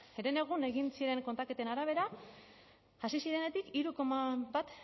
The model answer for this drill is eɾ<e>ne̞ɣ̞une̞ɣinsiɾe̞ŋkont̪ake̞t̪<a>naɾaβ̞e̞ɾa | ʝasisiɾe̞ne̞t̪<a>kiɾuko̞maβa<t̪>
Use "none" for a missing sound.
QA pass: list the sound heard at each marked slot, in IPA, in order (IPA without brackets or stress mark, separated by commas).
e, e, i, t̪